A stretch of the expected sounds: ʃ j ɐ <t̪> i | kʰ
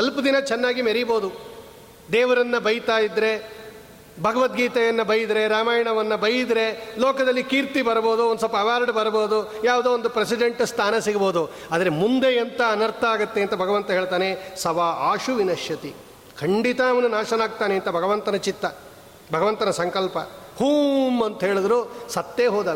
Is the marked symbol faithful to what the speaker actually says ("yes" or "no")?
yes